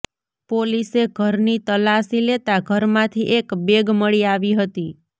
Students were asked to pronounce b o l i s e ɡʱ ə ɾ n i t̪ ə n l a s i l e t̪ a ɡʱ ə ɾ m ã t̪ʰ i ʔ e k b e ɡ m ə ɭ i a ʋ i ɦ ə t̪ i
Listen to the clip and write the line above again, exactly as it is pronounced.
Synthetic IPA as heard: p o l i s e ɡʱ ə ɾ n i t̪ ə l a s i l e t̪ a ɡʱ ə ɾ m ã t̪ʰ i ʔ e k b e ɡ m ə ɭ i a ʋ i ɦ ə t̪ i